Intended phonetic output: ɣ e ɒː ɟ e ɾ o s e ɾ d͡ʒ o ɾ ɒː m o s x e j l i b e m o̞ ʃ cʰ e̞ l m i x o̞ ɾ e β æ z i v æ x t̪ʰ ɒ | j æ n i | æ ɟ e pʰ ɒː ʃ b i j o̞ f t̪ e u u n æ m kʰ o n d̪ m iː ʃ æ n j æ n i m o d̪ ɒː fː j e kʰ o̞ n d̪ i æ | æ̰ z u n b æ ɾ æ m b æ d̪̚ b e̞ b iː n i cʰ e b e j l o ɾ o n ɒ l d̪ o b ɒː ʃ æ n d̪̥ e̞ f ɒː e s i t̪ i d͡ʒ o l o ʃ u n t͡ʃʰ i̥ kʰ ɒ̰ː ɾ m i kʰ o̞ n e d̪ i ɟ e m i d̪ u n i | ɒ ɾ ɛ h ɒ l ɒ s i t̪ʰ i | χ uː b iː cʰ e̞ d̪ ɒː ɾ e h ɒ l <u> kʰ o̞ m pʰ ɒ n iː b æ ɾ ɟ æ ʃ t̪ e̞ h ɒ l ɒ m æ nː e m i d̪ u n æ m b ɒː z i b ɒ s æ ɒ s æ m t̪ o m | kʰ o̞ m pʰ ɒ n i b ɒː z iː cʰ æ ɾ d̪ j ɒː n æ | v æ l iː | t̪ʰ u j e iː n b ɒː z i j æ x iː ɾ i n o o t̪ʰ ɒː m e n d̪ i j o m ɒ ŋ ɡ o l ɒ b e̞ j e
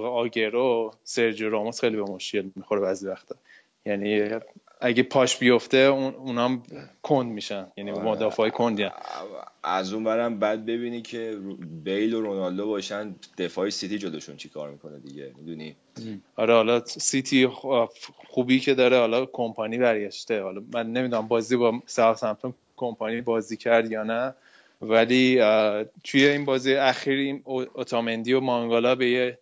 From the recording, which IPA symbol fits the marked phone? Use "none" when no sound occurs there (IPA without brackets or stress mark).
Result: ɒ